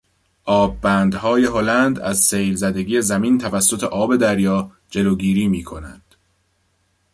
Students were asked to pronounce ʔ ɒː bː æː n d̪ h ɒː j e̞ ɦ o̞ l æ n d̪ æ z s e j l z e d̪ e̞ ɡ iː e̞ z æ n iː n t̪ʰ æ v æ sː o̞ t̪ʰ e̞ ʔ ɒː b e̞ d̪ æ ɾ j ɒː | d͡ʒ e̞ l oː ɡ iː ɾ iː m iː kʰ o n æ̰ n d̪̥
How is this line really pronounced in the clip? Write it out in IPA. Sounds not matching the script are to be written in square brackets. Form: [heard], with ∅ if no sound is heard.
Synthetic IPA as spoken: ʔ ɒː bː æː n d̪ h ɒː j e̞ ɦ o̞ l æ n d̪ æ z s e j l z [æ] d̪ e̞ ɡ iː e̞ z æ [m] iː n t̪ʰ æ v æ sː o̞ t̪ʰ e̞ ʔ ɒː b e̞ d̪ æ ɾ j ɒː | d͡ʒ e̞ l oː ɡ iː ɾ iː m iː kʰ o n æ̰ n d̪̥